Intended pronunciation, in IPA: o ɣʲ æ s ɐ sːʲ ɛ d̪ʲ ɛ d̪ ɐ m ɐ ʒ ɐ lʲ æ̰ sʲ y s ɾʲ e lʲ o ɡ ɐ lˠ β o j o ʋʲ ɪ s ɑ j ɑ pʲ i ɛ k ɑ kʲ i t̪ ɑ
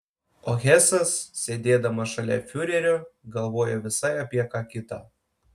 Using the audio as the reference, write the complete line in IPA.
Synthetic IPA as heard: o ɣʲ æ s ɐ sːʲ e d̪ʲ e d̪ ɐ m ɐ ʃ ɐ lʲ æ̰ fʲ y ɾʲ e ɾʲ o ɡ ɐ lˠ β o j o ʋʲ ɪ s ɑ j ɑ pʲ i ɛ k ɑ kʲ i t̪ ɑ